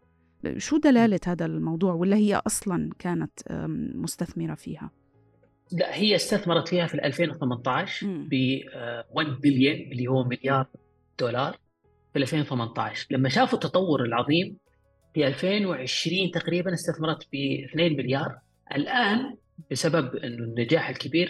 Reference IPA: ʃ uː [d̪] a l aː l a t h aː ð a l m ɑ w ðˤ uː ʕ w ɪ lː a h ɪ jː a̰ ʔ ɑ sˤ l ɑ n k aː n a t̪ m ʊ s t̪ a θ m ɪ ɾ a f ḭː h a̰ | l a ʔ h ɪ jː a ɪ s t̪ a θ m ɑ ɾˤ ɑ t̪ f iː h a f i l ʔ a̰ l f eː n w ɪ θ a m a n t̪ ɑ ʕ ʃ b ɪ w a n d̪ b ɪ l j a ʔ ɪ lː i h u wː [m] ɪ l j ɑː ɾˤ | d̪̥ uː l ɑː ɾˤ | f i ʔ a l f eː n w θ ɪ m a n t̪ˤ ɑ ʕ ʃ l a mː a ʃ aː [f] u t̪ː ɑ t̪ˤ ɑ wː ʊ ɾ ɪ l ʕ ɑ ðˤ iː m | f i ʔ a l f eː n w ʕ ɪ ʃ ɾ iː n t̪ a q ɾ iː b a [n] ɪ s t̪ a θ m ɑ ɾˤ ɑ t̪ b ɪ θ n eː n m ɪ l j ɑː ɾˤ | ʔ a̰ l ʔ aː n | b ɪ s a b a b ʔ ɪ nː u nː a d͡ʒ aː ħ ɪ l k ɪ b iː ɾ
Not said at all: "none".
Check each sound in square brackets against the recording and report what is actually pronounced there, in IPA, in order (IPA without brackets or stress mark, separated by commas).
d̪, m, f, n